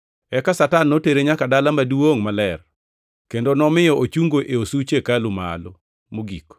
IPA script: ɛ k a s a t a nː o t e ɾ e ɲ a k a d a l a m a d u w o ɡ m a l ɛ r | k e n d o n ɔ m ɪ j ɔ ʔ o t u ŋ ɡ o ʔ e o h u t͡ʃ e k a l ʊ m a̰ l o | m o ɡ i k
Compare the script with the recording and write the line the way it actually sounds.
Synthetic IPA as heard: ɛ k a s a t a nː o t e ɾ e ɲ a k a d a l a m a d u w o ŋ m a l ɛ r | k e n d o n ɔ m ɪ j ɔ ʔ o t͡ʃ u ŋ ɡ o ʔ e o s u t͡ʃ e k a l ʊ m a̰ l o | m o ɡ i k